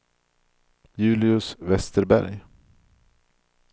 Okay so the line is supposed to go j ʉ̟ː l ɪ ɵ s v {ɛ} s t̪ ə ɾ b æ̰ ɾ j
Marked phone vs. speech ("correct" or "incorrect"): correct